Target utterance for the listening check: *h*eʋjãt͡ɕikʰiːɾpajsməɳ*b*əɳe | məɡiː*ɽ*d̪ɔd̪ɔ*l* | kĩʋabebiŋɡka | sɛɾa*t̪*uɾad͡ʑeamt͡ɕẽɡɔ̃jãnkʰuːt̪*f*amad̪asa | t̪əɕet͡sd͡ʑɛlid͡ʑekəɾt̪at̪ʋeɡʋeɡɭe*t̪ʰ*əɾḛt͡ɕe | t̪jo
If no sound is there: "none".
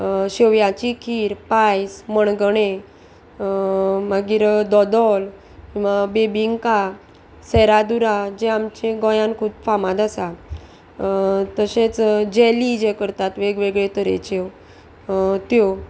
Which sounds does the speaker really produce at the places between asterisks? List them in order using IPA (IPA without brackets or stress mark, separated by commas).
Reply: ɕ, ɡ, ɾ, l, d̪, f, t̪